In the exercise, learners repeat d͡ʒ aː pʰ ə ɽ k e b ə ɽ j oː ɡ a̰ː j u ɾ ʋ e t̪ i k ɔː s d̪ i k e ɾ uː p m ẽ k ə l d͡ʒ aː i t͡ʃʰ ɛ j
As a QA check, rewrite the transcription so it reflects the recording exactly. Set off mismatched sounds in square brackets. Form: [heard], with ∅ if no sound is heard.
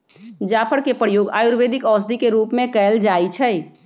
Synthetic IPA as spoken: d͡ʒ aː pʰ ə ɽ k e [p] ə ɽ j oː ɡ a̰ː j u ɾ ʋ e [d̪] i k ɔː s d̪ i k e ɾ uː p m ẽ k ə l d͡ʒ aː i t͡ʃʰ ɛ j